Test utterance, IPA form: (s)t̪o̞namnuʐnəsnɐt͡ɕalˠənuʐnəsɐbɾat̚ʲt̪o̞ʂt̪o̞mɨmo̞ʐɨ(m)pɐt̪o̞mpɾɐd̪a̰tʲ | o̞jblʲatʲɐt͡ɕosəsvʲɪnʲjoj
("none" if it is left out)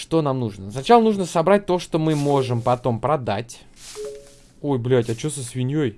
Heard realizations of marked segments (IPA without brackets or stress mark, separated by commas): ʂ, m